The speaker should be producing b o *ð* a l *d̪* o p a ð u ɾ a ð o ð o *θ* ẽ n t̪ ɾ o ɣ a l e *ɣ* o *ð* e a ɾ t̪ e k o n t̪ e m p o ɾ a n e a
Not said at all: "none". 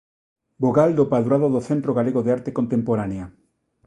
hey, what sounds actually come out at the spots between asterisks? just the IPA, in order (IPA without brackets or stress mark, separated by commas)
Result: ɣ, d̪, θ, ɣ, ð